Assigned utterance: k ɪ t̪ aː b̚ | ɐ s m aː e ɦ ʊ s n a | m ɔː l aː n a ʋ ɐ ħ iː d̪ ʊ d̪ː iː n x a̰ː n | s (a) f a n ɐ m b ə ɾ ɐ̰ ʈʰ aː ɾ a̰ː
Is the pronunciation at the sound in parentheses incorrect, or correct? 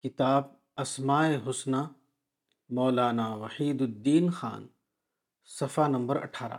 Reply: incorrect